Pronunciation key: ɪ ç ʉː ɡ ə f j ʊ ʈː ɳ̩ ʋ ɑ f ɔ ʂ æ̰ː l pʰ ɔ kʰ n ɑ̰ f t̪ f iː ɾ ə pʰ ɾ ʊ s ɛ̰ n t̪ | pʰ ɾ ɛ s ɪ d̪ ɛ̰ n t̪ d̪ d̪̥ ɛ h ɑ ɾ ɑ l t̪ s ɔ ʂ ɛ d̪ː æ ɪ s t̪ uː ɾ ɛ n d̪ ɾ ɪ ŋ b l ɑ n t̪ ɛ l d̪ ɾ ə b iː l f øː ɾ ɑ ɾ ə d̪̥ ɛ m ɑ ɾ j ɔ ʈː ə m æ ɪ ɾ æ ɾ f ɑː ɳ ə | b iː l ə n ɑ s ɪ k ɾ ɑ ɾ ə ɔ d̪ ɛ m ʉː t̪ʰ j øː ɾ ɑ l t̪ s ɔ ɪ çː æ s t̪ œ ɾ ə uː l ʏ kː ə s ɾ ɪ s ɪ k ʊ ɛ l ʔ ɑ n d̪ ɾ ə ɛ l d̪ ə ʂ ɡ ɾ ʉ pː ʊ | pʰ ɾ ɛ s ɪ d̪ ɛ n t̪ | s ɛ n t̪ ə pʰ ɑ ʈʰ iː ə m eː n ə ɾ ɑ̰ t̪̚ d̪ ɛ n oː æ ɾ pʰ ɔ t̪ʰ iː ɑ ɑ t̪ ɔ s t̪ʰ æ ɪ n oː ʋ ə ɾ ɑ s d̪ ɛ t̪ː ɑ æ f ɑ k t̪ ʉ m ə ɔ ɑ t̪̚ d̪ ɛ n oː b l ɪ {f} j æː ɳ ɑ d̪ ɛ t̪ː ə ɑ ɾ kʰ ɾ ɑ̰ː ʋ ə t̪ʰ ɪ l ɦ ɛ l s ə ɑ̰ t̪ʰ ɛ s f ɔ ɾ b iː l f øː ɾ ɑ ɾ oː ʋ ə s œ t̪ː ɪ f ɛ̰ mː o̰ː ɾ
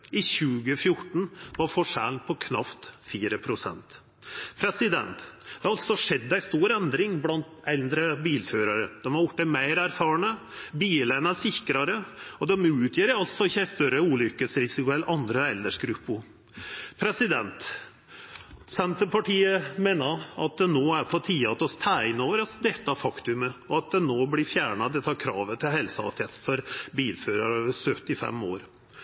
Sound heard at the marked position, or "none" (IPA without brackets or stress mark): f